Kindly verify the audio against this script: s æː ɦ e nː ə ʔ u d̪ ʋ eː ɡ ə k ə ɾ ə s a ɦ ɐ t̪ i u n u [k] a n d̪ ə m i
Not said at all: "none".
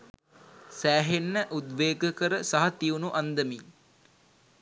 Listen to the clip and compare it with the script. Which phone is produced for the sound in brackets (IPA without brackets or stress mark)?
ʔ